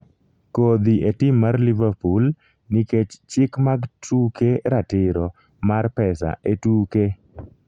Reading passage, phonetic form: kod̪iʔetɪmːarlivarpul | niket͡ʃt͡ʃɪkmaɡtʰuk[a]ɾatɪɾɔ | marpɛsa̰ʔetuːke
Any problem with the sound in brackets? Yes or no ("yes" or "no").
yes